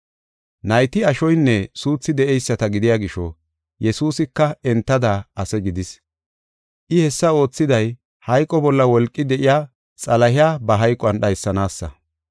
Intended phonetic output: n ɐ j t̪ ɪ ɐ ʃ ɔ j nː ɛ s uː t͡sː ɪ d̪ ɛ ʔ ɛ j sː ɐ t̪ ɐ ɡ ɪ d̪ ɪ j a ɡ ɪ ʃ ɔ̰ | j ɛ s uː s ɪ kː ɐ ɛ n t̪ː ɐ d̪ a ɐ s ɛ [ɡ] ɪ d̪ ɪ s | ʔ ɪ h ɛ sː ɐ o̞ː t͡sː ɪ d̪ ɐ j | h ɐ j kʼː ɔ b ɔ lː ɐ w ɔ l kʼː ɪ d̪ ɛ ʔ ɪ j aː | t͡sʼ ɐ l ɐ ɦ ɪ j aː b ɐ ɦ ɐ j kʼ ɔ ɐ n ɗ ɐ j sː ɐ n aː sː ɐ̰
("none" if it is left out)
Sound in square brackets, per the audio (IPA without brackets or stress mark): ɡ